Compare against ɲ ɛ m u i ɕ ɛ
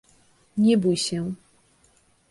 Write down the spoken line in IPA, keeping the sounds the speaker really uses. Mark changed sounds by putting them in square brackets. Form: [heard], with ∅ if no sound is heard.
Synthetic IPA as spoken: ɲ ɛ [b] u [j] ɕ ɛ